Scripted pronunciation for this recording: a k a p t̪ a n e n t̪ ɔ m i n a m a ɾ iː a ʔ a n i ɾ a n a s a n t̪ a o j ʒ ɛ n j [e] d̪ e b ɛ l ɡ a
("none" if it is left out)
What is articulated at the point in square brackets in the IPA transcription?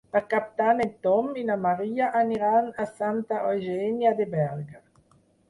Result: a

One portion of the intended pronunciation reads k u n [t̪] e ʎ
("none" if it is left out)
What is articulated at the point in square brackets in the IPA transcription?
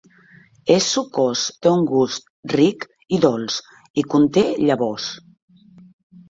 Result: t̪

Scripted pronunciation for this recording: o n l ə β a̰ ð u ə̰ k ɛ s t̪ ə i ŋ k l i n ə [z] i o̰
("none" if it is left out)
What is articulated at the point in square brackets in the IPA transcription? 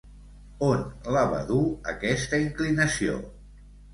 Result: s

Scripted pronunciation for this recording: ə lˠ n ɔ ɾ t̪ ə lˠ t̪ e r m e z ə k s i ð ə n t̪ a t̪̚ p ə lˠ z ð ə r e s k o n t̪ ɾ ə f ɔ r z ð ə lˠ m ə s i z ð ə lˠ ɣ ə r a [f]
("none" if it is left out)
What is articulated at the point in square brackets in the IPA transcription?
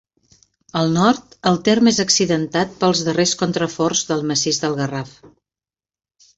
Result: f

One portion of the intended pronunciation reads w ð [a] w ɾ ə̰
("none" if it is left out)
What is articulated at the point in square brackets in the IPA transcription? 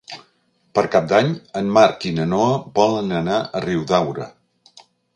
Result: a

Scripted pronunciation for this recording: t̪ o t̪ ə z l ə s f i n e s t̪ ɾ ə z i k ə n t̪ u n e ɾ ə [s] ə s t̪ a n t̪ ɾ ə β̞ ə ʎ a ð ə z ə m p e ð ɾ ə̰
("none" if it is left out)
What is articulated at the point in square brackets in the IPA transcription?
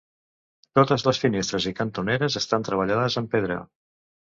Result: z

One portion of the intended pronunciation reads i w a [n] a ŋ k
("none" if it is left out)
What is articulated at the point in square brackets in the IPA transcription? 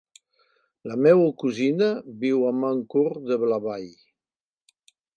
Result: m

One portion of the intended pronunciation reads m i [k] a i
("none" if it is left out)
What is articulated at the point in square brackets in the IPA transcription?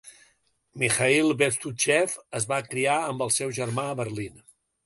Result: x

